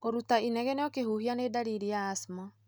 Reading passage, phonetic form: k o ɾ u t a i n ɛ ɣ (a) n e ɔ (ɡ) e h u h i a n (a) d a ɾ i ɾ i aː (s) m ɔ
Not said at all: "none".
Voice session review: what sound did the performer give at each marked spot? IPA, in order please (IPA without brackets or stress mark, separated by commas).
ɛ, k, e, s